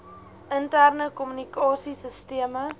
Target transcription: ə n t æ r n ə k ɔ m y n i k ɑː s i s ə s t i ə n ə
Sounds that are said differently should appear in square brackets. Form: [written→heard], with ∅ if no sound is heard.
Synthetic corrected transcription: ə n t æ r n ə k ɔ m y n i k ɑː s i s ə s t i ə [n→m] ə

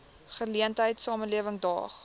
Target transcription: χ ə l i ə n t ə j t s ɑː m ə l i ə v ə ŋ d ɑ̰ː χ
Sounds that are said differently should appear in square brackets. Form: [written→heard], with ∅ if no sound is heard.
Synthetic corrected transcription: χ ə l i ə n t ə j t s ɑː m ə l i ə v ə ŋ d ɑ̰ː χ

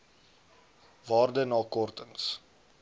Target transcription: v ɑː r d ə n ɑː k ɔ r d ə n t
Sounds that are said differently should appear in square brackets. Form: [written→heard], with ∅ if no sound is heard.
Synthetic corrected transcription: v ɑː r d ə n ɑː k ɔ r [d→t] ə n [t→s]

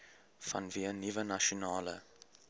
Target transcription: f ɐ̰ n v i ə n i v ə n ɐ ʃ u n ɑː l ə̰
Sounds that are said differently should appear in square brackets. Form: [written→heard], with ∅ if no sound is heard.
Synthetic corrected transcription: f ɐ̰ n v i ə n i v ə n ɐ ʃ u n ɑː l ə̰

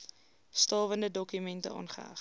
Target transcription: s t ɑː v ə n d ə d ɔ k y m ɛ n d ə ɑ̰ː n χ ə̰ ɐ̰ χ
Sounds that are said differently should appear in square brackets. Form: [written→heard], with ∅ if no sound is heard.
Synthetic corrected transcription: s t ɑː v ə n d ə d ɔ k y m ɛ n [d→t] ə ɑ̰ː n χ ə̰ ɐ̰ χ

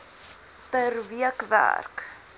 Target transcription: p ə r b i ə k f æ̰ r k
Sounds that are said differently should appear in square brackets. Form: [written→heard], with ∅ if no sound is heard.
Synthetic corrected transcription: p ə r [b→v] i ə k [f→v] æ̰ r k

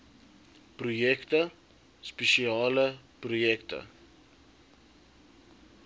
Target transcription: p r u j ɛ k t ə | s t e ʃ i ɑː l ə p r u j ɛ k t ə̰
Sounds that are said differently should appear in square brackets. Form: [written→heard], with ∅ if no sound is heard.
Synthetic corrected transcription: p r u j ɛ k t ə | s [t→p] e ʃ i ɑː l ə p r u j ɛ k t ə̰

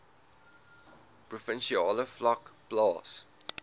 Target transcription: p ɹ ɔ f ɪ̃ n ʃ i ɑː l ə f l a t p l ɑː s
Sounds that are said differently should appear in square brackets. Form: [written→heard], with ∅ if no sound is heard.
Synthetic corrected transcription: p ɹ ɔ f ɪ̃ n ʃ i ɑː l ə f l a [t→k] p l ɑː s

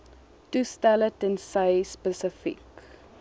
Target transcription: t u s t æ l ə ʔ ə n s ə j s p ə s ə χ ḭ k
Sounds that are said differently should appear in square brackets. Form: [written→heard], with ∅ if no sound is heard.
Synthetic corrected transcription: t u s t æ l ə [ʔ→t] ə n s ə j s p ə s ə [χ→f] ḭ k

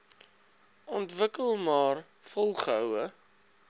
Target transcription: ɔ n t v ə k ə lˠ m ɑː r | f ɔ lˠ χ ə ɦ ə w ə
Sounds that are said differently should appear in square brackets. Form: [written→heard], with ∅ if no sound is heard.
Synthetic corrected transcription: ɔ n t v ə k ə lˠ m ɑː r | f ɔ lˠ χ ə ɦ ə w ə

